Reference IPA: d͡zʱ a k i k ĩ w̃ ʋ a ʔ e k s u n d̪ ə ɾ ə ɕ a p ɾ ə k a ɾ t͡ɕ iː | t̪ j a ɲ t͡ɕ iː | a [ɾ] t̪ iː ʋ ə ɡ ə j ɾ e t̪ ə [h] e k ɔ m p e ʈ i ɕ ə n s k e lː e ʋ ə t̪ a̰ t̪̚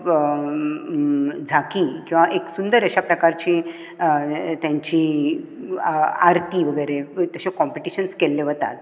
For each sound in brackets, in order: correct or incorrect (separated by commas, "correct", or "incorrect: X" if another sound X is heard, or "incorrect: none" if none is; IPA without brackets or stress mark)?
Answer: correct, incorrect: ɕ